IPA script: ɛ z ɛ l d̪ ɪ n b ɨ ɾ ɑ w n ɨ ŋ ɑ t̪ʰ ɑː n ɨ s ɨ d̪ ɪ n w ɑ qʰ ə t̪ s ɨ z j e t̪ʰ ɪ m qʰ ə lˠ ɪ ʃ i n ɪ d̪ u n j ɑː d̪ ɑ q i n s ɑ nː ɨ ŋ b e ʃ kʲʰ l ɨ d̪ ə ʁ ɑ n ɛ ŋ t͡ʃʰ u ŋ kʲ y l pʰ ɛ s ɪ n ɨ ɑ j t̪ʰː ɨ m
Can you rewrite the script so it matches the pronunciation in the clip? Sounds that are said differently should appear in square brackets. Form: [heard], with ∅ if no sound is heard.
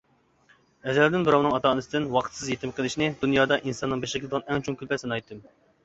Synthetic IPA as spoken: ɛ z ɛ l d̪ ɪ n b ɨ ɾ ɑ w n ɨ ŋ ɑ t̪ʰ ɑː n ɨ s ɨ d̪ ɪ n w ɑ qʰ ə t̪ s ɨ z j e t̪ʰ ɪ m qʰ ə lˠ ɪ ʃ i n ɪ d̪ u n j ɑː d̪ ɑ [ʔ] i n s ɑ nː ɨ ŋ b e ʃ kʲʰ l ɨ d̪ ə ʁ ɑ n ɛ ŋ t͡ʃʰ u ŋ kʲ y l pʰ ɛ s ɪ n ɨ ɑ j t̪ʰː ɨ m